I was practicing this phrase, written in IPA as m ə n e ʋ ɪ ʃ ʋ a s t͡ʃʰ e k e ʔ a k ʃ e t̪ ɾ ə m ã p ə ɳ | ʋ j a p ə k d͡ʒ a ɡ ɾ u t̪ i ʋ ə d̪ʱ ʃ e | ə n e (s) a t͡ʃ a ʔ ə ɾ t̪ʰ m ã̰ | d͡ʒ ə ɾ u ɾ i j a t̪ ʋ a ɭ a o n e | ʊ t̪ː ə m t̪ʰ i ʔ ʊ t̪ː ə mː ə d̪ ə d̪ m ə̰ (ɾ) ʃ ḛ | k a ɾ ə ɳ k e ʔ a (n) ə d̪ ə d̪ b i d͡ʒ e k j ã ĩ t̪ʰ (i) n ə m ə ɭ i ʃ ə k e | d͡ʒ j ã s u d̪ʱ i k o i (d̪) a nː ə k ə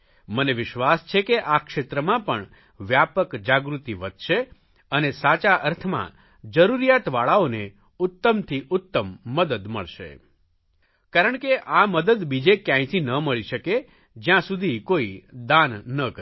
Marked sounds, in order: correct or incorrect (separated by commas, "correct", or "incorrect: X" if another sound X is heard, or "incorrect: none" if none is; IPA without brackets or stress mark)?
correct, incorrect: ɭ, incorrect: m, correct, correct